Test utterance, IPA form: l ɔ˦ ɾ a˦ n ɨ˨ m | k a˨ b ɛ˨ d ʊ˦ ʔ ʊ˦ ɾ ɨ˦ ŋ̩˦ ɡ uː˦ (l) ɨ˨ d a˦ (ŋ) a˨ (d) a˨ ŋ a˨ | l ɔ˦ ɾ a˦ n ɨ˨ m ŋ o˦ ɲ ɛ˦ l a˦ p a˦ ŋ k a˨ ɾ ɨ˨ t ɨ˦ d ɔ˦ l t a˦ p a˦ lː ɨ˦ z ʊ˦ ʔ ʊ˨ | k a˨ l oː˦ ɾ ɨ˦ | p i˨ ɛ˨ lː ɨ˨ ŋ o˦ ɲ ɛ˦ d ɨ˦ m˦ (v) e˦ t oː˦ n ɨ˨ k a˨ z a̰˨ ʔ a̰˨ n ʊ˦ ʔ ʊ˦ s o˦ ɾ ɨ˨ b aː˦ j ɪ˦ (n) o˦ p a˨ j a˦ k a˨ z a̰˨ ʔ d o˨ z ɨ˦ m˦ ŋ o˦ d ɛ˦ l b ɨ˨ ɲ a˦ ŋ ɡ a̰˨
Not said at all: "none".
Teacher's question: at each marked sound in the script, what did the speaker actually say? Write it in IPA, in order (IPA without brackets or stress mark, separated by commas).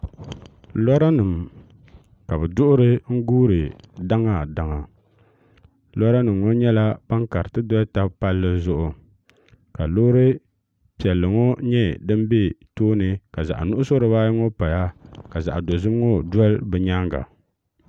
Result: ɾ, ŋ, d, b, ŋ